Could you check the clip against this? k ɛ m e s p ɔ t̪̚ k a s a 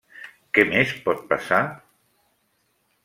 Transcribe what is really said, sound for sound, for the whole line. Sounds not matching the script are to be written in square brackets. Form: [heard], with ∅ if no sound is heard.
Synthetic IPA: k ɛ m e s p ɔ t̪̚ [p] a s a